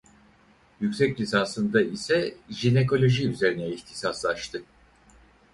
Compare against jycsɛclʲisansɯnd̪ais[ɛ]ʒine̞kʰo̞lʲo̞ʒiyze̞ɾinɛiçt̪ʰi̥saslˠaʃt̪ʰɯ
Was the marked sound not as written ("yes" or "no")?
no